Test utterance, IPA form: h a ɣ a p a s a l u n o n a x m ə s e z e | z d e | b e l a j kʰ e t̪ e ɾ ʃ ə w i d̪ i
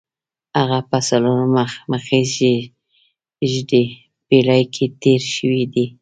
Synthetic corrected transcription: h a ɣ a p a s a l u n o m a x m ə x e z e | ʒ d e | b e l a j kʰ e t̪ e ɾ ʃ ə w i d̪ i